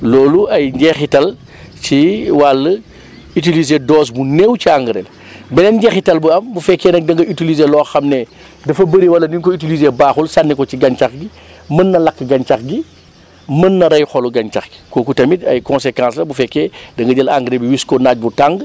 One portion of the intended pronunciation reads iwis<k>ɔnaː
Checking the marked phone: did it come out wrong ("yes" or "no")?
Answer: no